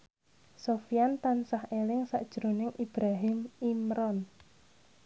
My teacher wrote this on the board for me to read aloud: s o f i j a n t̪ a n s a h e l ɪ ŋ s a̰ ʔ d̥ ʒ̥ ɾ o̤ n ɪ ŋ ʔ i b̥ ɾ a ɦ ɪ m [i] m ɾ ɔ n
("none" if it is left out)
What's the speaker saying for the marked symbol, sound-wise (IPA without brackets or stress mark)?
i